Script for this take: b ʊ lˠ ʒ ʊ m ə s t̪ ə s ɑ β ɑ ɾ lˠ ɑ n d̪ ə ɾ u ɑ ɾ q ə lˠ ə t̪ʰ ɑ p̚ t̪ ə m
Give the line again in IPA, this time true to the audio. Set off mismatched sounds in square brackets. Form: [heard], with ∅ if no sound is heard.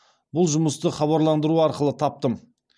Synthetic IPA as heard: b ʊ lˠ ʒ ʊ m ə s t̪ ə [χ] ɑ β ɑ ɾ lˠ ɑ n d̪ ə ɾ u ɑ ɾ q ə lˠ ə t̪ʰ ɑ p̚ t̪ ə m